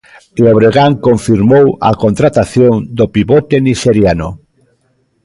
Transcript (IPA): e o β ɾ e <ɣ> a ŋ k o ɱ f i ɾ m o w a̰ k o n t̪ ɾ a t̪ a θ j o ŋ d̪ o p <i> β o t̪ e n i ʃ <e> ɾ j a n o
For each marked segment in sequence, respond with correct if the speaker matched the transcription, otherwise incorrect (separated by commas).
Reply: correct, correct, correct